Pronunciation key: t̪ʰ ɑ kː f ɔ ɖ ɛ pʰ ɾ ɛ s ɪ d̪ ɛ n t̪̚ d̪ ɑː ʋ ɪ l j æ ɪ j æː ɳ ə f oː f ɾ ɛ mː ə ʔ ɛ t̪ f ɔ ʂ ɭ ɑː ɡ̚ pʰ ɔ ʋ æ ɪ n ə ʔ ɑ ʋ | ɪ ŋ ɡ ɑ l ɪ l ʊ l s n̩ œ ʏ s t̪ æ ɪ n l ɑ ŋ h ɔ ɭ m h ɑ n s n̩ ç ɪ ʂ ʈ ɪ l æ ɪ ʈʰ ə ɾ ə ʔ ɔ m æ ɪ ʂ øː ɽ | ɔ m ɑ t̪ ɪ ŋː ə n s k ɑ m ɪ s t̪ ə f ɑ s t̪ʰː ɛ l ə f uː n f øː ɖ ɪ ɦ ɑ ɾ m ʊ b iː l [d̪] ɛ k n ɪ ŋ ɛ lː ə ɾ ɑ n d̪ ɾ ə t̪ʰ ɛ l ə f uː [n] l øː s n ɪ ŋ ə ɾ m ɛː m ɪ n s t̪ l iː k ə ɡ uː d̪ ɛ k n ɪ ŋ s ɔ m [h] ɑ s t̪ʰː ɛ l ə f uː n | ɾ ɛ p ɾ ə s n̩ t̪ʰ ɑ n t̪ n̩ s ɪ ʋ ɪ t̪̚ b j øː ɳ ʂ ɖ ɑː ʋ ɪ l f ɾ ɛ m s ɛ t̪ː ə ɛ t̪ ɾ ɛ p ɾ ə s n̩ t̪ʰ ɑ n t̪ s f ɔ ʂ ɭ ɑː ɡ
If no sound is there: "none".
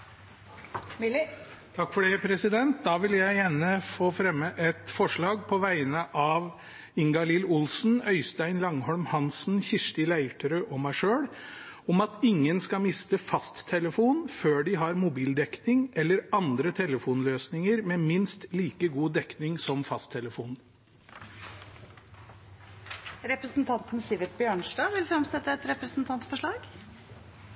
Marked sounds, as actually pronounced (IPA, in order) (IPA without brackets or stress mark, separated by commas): d̪, n, f